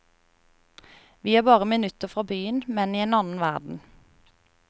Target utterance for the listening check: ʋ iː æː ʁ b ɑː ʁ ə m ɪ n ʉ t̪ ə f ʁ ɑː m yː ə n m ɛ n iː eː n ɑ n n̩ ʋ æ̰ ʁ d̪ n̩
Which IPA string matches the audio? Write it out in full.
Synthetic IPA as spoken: ʋ iː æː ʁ b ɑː ʁ ə m ɪ n ʉ t̪ ə f ʁ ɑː b yː ə n m ɛ n iː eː n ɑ n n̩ ʋ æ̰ ʁ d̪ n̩